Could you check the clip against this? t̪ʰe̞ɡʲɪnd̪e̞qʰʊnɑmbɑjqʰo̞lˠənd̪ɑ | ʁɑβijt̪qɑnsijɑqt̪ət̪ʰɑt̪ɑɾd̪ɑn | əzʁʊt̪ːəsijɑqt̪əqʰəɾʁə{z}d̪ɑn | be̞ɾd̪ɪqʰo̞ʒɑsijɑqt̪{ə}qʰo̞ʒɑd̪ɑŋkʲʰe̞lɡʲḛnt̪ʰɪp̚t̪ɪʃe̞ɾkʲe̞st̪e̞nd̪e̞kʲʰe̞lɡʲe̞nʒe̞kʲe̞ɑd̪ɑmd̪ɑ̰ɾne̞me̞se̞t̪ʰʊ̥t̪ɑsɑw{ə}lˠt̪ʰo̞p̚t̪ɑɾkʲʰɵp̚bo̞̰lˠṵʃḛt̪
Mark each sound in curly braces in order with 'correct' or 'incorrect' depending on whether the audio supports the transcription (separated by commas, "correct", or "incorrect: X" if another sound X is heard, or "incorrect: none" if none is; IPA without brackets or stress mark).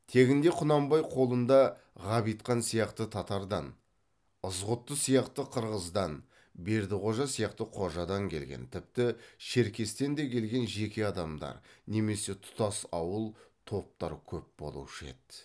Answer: correct, correct, correct